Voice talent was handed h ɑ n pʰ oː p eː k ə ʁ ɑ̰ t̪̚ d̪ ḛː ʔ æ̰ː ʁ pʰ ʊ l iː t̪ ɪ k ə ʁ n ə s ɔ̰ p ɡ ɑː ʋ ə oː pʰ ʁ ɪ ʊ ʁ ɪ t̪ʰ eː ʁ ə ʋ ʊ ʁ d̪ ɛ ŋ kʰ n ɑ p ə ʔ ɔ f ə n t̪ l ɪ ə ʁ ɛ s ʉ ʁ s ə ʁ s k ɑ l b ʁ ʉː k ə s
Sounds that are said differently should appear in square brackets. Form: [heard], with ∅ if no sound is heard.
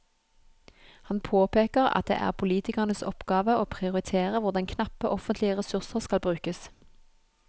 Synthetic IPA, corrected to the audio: h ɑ n pʰ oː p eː k ə ʁ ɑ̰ t̪̚ d̪ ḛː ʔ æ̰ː ʁ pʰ ʊ l iː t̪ ɪ k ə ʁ n ə s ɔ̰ p ɡ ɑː ʋ ə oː pʰ ʁ ɪ ʊ ʁ ɪ t̪ʰ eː ʁ ə ʋ ʊ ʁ d̪ ɛ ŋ kʰ n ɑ p ə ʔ ɔ f ə n t̪ l ɪ ə ʁ ɛ s ʉ ʁ s ə ʁ s k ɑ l b ʁ ʉː k ə s

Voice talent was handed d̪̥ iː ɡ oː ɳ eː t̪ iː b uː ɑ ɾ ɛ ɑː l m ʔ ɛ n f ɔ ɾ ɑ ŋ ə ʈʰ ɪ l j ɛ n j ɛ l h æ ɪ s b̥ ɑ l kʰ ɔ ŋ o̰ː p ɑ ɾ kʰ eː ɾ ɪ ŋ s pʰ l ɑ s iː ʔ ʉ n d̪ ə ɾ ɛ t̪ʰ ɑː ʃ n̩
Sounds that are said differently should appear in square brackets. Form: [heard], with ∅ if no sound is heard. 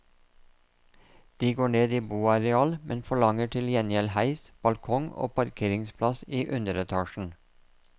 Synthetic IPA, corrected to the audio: d̪̥ iː ɡ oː ɳ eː [d̪] iː b uː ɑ ɾ ɛ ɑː l m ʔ ɛ n f ɔ [ɭ] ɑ ŋ ə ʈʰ ɪ l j ɛ n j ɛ l h æ ɪ s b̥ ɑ l kʰ ɔ ŋ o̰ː p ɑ ɾ kʰ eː ɾ ɪ ŋ s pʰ l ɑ s iː ʔ ʉ n d̪ ə ɾ ɛ t̪ʰ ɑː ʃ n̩

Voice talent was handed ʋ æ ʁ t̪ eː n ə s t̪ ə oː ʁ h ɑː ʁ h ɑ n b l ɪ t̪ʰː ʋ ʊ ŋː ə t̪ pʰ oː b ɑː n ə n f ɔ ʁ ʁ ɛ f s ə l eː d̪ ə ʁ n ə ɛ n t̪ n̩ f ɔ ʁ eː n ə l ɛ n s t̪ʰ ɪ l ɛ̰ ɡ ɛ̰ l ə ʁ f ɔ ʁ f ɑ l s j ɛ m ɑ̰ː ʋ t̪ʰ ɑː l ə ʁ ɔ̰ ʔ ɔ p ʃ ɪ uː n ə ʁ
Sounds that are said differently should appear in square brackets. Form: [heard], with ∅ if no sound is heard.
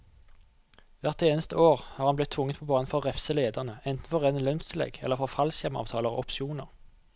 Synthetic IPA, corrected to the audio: ʋ æ ʁ t̪ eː n ə s t̪ ə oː ʁ h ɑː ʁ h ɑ n b l ɪ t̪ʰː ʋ ʊ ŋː ə t̪ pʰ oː b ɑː n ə n f ɔ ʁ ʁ ɛ f s ə l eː d̪ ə ʁ n ə ɛ n t̪ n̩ f ɔ ʁ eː n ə l [œ] n s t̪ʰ ɪ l ɛ̰ ɡ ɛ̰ l ə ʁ f ɔ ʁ f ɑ l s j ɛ m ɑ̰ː ʋ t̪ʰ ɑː l ə ʁ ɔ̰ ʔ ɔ p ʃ ɪ uː n ə ʁ

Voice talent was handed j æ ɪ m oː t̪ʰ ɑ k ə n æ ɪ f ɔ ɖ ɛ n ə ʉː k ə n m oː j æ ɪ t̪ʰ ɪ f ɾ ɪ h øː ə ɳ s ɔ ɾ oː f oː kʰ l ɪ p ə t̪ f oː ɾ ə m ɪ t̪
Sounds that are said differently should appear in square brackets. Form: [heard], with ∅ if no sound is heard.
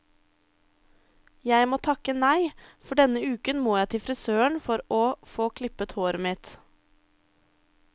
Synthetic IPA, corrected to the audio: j æ ɪ m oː t̪ʰ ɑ k ə n æ ɪ f ɔ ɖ ɛ n ə ʉː k ə n m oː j æ ɪ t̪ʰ ɪ f ɾ ɪ [s] øː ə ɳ [f] ɔ ɾ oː f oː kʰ l ɪ p ə t̪ [h] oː ɾ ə m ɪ t̪

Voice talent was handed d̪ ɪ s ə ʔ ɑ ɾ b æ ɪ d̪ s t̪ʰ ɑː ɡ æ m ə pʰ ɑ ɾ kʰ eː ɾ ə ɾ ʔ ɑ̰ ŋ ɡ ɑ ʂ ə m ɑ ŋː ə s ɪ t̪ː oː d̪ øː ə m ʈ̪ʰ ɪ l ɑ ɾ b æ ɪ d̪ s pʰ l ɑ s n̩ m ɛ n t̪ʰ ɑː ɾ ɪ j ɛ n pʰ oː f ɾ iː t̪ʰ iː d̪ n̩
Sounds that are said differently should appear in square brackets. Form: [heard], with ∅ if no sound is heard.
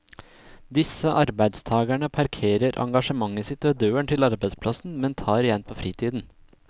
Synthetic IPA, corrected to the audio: d̪ ɪ s ə ʔ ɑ ɾ b æ ɪ d̪ s t̪ʰ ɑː ɡ æ [ɳ] ə pʰ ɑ ɾ kʰ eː ɾ ə ɾ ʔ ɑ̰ ŋ ɡ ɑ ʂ ə m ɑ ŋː ə s ɪ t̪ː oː d̪ øː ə [ɳ] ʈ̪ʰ ɪ l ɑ ɾ b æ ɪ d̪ s pʰ l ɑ s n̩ m ɛ n t̪ʰ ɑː ɾ ɪ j ɛ n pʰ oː f ɾ iː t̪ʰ iː d̪ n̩

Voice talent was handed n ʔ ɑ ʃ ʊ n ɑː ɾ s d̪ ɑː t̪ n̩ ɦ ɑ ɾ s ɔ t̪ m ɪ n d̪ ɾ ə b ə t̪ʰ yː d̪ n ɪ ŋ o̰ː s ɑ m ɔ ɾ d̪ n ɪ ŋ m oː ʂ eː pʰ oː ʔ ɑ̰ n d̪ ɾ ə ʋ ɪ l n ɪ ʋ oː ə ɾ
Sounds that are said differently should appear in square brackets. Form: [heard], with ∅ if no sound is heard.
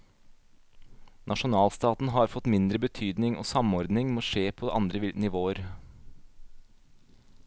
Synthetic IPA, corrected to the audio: n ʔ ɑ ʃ ʊ n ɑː [l] s [t̪] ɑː t̪ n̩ ɦ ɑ ɾ [f] ɔ t̪ m ɪ n d̪ ɾ ə b ə t̪ʰ yː d̪ n ɪ ŋ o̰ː s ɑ m ɔ ɾ d̪ n ɪ ŋ m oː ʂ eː pʰ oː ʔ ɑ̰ n d̪ ɾ ə ʋ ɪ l n ɪ ʋ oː ə ɾ

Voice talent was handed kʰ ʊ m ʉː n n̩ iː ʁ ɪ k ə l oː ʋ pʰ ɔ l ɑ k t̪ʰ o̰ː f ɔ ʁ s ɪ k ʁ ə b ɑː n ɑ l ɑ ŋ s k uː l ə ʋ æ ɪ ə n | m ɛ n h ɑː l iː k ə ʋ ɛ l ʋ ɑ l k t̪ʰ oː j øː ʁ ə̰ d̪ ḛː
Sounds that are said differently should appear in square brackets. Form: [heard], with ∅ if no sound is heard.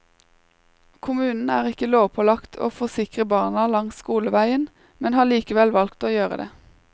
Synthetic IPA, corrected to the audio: kʰ ʊ m ʉː n n̩ [æː] ʁ ɪ k ə l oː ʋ pʰ ɔ l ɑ k t̪ʰ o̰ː f ɔ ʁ s ɪ k ʁ ə b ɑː n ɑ l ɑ ŋ s k uː l ə ʋ æ ɪ ə n | m ɛ n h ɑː l iː k ə ʋ ɛ l ʋ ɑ l k [t̪] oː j øː ʁ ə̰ d̪ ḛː

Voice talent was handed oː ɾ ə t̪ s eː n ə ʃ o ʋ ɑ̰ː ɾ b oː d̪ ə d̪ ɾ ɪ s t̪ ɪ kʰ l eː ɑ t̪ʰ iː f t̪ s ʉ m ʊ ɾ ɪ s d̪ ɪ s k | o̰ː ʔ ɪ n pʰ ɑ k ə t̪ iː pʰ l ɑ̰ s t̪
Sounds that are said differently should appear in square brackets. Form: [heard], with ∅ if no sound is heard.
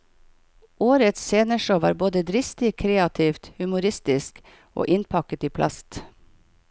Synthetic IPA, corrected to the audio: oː ɾ ə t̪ s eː n ə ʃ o ʋ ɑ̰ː ɾ b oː d̪ ə d̪ ɾ ɪ s t̪ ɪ kʰ [ɾ] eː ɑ t̪ʰ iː f t̪ [h] ʉ m ʊ ɾ ɪ s [t̪] ɪ s k | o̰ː ʔ ɪ n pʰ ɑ k ə t̪ iː pʰ l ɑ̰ s t̪

